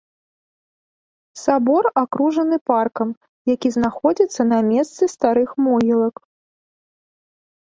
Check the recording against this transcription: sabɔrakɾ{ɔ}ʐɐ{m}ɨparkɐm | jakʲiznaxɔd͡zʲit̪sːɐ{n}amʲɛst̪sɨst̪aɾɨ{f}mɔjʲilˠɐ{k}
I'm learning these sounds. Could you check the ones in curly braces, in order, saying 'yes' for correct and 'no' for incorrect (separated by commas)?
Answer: no, no, yes, no, yes